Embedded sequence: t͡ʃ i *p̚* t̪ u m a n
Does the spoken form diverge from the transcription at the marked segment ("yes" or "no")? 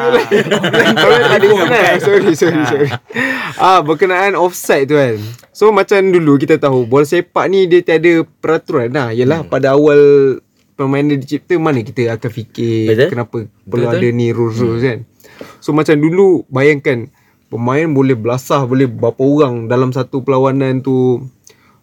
no